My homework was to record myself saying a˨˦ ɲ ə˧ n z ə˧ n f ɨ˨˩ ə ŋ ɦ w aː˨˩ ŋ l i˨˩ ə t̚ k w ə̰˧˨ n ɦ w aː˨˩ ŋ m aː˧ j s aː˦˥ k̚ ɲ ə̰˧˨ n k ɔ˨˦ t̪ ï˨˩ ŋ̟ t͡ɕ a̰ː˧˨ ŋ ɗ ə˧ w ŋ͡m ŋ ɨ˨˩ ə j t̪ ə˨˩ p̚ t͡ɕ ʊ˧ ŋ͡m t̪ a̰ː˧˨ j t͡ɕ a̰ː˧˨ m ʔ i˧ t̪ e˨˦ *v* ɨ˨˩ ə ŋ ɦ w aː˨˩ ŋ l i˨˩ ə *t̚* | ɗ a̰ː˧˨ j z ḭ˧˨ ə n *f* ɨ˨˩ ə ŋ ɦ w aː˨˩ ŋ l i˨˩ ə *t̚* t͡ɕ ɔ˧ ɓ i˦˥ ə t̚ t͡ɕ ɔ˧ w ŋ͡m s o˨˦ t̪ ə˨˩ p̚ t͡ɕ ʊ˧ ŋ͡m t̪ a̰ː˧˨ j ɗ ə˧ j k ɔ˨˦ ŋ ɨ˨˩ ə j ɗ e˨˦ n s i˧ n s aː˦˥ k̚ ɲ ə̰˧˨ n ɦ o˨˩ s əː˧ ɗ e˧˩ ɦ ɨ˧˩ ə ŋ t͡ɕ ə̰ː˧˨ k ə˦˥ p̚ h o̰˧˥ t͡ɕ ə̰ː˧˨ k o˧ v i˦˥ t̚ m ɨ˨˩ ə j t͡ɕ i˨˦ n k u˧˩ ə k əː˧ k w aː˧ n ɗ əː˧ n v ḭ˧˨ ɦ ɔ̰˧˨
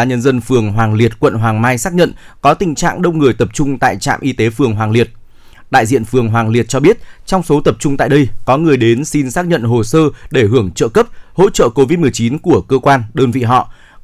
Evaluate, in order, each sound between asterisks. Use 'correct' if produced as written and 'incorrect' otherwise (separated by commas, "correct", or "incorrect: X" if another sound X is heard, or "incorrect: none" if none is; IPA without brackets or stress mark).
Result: incorrect: f, correct, correct, correct